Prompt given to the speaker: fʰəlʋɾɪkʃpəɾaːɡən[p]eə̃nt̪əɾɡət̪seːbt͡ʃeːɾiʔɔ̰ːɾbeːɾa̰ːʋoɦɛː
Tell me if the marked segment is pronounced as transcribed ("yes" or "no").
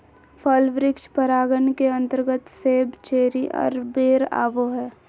no